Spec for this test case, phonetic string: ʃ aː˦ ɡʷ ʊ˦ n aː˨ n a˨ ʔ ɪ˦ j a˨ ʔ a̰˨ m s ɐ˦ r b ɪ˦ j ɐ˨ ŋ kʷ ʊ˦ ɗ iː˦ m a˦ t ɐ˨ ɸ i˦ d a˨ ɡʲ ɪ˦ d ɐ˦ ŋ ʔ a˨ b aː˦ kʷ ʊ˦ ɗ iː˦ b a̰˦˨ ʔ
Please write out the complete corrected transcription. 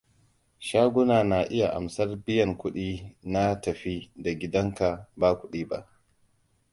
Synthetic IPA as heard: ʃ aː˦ ɡʷ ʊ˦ n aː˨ n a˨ ʔ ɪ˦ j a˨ ʔ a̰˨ m s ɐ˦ r b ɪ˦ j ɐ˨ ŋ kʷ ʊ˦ ɗ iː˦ n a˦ t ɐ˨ ɸ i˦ d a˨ ɡʲ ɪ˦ d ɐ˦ ŋ k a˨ b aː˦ kʷ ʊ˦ ɗ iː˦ b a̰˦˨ ʔ